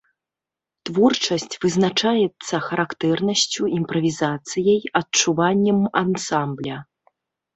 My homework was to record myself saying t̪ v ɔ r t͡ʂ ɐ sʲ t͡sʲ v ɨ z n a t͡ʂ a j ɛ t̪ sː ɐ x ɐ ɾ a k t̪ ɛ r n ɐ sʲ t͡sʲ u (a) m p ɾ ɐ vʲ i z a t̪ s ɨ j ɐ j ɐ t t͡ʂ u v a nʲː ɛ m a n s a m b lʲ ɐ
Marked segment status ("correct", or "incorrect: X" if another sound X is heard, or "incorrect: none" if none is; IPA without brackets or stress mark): incorrect: i